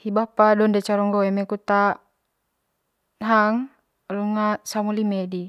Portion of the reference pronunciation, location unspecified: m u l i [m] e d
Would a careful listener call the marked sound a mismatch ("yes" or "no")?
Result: no